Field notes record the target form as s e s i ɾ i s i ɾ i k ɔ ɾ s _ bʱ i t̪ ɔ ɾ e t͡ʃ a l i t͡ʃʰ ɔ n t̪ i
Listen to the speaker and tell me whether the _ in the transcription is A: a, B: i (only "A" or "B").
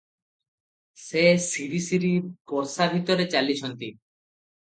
A